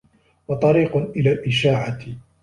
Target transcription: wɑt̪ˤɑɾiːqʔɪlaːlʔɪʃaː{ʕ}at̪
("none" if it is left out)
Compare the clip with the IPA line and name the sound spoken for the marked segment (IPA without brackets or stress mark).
ʕ